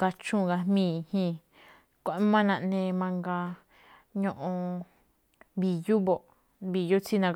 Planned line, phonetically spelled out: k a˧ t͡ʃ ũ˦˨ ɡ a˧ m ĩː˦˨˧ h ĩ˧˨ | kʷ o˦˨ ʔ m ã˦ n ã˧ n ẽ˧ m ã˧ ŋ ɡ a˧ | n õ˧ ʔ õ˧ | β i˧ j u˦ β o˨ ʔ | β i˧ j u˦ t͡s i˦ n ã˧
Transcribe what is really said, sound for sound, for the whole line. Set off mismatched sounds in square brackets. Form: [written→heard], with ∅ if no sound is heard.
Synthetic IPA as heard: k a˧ t͡ʃ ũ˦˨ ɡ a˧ m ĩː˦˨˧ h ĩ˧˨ | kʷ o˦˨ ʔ m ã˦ n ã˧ n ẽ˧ m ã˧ ŋ ɡ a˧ | [n→ɲ] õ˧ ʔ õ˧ | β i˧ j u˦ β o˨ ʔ | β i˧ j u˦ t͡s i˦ n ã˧